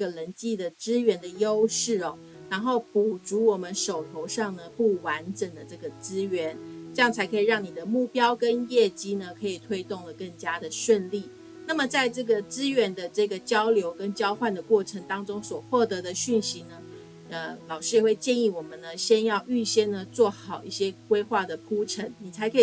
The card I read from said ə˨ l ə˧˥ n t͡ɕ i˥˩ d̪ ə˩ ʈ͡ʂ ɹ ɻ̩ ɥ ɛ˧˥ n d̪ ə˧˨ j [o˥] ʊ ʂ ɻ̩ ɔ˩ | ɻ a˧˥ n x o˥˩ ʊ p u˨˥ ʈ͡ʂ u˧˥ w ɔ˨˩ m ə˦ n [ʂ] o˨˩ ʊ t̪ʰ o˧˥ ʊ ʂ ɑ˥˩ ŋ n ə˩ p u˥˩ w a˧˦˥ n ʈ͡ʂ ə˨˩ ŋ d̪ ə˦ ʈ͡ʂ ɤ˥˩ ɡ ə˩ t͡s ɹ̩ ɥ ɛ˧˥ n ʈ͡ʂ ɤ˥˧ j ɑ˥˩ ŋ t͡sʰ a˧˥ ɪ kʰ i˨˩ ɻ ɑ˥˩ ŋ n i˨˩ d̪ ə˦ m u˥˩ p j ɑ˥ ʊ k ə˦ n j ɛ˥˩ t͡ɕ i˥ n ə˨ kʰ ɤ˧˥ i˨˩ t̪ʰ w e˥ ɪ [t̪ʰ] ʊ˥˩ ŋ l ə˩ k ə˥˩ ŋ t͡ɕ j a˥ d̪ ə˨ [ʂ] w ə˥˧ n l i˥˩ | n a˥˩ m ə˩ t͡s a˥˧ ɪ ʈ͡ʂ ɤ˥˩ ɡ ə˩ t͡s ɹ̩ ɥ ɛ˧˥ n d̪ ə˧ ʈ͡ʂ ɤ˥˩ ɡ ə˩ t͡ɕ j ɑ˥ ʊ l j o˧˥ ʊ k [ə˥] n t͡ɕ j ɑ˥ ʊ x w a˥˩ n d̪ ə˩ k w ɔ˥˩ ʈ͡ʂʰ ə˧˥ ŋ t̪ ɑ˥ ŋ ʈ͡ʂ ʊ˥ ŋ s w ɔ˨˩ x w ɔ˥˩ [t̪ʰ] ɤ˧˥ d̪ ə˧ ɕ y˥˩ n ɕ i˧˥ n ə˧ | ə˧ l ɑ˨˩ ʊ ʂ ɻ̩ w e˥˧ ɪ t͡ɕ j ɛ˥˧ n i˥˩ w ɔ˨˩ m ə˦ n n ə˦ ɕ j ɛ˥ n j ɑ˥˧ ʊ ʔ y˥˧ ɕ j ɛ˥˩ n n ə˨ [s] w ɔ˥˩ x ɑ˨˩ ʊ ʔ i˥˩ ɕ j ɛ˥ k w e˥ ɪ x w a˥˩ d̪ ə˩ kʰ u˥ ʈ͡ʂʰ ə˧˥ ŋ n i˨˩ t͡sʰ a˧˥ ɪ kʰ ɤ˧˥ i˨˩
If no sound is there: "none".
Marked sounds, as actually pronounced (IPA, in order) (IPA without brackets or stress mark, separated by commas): o˥, ʂ, t̪, ʂ, ə˥, t̪, t͡s